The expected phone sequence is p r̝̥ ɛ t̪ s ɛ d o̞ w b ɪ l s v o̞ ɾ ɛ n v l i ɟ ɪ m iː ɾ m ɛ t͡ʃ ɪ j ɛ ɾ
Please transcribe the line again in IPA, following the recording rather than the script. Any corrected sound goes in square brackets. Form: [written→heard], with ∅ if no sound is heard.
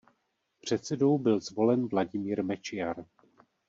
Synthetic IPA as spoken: p r̝̥ ɛ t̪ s ɛ d o̞ w b ɪ l [s→z] v o̞ [ɾ→l] ɛ n v l [i→a] ɟ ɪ m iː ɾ m ɛ t͡ʃ ɪ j [ɛ→a] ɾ